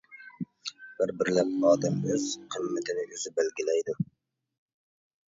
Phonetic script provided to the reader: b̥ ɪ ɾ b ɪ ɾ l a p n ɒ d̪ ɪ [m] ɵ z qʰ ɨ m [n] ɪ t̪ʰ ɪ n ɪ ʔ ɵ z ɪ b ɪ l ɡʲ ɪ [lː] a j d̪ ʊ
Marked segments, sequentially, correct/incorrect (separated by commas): correct, incorrect, incorrect